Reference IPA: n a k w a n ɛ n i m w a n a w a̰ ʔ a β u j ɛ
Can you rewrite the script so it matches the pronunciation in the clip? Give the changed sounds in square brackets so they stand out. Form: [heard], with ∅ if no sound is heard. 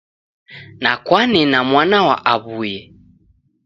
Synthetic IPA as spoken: n a k w a n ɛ n [a] m w a n a w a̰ ʔ a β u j ɛ